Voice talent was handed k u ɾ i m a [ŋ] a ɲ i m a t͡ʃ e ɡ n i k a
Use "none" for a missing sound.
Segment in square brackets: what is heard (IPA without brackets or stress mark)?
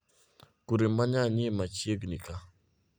ɲ